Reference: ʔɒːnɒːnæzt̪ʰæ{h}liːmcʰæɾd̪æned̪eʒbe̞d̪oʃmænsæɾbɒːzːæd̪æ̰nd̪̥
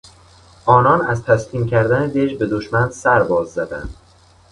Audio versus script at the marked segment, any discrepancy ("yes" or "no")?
yes